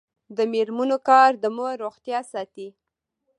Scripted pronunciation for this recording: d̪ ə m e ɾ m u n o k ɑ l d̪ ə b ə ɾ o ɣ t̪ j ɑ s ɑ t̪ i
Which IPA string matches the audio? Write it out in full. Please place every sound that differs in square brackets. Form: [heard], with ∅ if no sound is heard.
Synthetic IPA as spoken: d̪ ə m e ɾ m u n o k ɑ [ɾ] d̪ ə [m] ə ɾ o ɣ t̪ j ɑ s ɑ t̪ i